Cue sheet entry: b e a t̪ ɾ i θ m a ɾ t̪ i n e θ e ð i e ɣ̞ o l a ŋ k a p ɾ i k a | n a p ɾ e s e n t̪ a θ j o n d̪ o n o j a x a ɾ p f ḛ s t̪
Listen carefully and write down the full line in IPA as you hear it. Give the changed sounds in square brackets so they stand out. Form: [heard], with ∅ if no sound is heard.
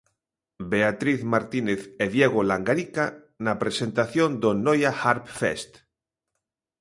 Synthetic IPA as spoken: b e a t̪ ɾ i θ m a ɾ t̪ i n e θ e ð [j] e ɣ̞ o l a ŋ [ɡ] a [∅] ɾ i k a | n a p ɾ e s e n t̪ a θ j o n d̪ o n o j a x a ɾ p f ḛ s t̪